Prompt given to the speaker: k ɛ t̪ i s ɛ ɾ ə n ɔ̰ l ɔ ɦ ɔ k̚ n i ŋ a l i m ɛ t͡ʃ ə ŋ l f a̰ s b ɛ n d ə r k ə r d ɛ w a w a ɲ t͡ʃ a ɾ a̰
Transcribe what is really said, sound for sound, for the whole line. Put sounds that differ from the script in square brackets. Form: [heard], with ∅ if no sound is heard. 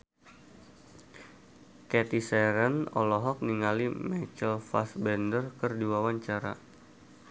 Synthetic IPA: k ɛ t̪ i s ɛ ɾ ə n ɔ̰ l ɔ ɦ ɔ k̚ n i ŋ a l i m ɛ t͡ʃ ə [∅] l f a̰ s b ɛ n d ə r k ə r d [i] w a w a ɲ t͡ʃ a ɾ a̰